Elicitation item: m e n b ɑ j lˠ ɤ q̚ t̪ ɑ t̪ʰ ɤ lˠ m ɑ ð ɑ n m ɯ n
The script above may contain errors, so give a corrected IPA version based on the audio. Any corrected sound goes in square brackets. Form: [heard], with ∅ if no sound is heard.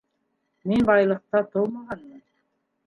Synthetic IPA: m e n b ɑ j lˠ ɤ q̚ t̪ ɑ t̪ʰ [o] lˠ m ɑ [ʁ] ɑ n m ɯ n